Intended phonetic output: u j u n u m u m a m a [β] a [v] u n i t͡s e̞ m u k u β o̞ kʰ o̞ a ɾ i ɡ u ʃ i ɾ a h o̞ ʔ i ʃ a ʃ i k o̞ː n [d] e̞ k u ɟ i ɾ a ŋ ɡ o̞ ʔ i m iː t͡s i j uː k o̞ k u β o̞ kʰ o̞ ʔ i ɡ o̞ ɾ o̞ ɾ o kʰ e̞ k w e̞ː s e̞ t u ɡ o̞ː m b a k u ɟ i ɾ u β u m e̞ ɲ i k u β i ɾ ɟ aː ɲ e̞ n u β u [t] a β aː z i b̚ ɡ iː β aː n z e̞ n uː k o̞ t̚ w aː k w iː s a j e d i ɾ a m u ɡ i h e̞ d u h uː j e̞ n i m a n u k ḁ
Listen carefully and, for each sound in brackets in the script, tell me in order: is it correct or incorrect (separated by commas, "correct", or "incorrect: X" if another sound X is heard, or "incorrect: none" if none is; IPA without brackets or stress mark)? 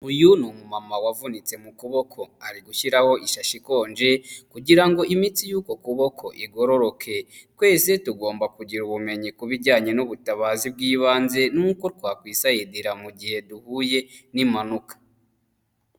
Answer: incorrect: w, correct, incorrect: d͡ʒ, correct